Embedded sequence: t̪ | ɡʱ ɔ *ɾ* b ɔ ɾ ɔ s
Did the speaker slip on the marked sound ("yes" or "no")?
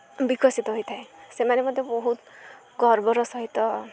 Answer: no